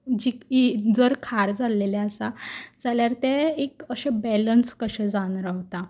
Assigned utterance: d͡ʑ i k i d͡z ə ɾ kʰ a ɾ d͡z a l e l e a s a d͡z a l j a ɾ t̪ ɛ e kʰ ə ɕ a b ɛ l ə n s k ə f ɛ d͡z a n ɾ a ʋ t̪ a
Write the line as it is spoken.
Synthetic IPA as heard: d͡ʑ i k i d͡z ə ɾ kʰ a ɾ d͡z a l e l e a s a d͡z a l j a ɾ t̪ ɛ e k ə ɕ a b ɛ l ə n s k ə ɕ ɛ d͡z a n ɾ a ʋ t̪ a